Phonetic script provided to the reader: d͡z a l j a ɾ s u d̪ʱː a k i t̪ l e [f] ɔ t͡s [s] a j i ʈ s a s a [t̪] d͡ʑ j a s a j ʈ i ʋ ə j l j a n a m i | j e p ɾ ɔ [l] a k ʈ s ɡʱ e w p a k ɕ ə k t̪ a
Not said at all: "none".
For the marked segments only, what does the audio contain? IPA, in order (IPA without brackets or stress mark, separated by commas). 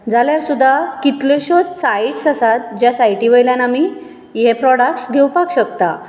ɕ, s, t̪, ɽ